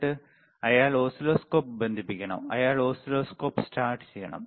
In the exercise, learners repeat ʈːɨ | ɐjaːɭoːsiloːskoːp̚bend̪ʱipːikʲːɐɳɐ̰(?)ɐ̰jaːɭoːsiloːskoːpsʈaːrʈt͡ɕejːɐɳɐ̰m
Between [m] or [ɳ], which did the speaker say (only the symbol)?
m